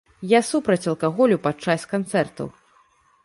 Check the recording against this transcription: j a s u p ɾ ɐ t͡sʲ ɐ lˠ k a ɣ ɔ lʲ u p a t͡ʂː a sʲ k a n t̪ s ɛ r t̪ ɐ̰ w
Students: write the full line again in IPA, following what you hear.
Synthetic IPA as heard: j a s u p ɾ ɐ t͡sʲ ɐ lˠ k a ɣ ɔ lʲ u p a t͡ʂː a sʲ k a n t̪ s ɛ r t̪ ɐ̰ w